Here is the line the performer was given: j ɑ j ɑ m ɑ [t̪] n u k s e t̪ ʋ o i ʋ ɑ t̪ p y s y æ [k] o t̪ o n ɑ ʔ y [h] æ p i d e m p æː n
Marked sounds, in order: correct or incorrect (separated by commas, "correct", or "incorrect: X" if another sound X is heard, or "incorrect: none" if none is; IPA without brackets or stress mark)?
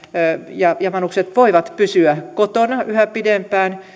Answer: incorrect: none, correct, correct